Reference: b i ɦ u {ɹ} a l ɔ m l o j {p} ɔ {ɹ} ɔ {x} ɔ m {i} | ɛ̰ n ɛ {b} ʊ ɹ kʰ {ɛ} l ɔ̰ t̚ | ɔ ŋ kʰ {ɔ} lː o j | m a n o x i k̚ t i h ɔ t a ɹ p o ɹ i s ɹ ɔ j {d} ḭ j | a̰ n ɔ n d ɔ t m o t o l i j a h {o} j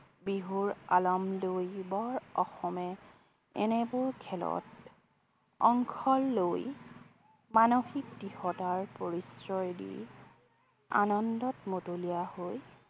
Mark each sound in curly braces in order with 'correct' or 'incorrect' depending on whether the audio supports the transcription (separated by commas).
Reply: correct, incorrect, correct, correct, incorrect, correct, correct, correct, correct, correct